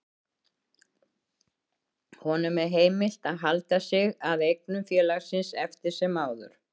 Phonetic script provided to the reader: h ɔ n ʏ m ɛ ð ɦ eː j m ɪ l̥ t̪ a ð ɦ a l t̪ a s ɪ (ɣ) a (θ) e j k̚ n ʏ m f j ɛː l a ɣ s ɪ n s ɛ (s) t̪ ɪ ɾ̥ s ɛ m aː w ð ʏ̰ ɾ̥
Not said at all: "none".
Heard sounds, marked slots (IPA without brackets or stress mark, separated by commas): ɣ, ð, f